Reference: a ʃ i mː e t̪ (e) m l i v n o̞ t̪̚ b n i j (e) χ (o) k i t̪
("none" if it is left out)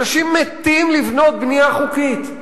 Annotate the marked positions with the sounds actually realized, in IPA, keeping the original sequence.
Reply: i, a, u

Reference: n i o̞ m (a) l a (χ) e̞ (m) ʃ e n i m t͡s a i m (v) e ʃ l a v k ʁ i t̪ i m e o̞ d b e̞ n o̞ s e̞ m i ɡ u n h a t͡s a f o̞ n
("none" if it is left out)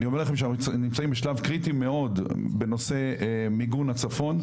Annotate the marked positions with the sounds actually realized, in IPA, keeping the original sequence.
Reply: e, χ, m, b

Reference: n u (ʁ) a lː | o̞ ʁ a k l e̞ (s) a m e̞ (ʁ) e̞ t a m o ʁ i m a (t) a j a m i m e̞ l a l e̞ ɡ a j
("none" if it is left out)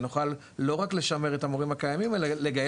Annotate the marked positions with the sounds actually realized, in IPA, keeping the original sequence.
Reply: χ, ʃ, ʁ, k

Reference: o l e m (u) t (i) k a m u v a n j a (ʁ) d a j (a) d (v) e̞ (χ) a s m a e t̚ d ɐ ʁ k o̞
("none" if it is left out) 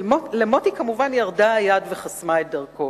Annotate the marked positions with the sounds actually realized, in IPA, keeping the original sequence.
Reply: o, i, ʁ, a, v, χ

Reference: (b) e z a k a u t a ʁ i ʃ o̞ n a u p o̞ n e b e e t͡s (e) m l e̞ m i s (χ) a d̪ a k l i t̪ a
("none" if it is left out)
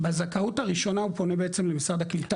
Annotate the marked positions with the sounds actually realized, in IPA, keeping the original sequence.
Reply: b, e, ʁ

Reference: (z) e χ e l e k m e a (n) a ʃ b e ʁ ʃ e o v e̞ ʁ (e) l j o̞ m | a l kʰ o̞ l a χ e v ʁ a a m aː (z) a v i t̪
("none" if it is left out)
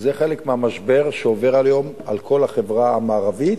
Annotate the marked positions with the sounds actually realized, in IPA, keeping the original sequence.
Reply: z, m, a, ʁ

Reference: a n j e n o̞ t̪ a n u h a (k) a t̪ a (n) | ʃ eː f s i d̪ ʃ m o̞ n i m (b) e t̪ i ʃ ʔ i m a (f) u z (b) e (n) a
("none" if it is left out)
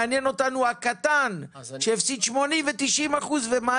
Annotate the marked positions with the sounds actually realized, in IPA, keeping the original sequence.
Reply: k, n, v, χ, v, m

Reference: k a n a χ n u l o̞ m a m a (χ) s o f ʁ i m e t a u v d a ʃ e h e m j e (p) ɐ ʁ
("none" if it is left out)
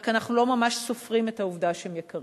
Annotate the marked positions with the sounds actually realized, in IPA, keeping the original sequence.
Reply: ʃ, k

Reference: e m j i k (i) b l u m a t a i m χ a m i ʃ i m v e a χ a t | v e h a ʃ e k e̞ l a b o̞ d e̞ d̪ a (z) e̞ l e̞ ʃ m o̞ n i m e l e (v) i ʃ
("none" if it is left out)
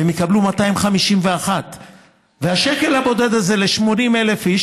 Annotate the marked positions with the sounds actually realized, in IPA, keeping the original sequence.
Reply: a, z, f

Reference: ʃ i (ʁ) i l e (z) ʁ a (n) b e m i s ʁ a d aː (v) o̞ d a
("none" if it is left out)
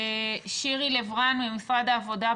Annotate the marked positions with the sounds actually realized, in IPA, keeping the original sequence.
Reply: ʁ, v, n, v

